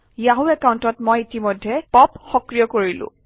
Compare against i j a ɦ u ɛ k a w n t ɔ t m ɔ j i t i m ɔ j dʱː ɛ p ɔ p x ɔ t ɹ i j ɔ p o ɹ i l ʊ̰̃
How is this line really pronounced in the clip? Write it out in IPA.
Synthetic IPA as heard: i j a ɦ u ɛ k a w n t ɔ t m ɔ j i t i m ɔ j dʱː ɛ p ɔ p x ɔ k ɹ i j ɔ k o ɹ i l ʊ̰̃